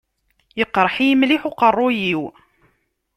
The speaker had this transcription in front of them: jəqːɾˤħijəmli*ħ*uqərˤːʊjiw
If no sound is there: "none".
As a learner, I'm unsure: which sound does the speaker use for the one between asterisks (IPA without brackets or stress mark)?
ħ